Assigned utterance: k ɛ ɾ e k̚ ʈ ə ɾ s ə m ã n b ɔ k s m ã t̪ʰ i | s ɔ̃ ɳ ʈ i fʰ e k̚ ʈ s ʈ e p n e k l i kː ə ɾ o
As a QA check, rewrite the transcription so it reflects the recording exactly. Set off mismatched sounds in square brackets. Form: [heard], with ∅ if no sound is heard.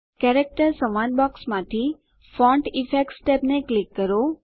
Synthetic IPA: k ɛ ɾ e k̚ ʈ ə ɾ s ə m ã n b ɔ k s m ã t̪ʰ i | [f] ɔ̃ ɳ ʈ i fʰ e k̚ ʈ s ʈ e p n e k l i kː ə ɾ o